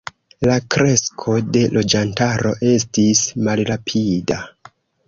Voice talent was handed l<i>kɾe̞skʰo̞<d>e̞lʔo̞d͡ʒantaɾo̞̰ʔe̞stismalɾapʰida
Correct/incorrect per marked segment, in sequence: incorrect, correct

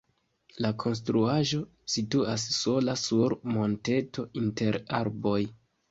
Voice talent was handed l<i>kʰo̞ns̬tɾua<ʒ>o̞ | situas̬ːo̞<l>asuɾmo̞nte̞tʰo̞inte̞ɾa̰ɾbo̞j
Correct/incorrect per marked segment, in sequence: incorrect, correct, correct

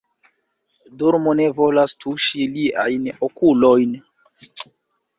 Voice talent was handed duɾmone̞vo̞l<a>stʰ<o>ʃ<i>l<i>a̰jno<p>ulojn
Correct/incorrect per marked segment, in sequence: correct, incorrect, correct, correct, incorrect

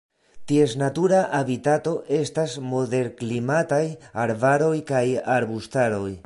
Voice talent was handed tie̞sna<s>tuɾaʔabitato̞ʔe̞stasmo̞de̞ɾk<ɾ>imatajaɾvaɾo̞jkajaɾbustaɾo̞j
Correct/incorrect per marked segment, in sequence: incorrect, incorrect

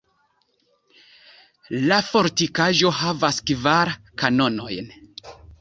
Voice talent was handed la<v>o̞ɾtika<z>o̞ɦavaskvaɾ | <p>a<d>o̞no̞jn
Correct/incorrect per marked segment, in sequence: incorrect, incorrect, incorrect, incorrect

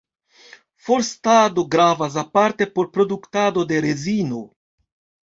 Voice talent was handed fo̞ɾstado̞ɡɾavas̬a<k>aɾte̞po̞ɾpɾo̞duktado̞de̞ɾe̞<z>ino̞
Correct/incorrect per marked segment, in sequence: incorrect, correct

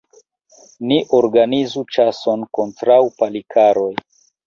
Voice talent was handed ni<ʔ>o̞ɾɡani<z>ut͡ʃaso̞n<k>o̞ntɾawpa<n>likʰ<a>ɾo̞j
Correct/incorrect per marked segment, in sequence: correct, correct, correct, incorrect, correct

